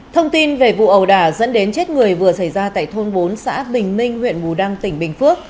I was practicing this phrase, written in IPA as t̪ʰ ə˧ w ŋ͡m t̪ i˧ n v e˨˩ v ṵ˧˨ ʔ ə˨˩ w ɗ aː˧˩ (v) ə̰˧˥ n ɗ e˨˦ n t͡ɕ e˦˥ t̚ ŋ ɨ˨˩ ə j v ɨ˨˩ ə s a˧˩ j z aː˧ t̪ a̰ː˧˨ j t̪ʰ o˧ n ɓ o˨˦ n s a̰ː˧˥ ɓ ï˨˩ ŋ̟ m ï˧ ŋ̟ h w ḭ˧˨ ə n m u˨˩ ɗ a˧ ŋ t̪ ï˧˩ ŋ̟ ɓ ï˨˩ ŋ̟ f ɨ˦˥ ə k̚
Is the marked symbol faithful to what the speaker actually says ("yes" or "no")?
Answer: no